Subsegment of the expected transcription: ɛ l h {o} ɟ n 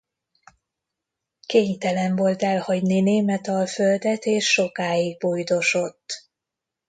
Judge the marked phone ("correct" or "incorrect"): incorrect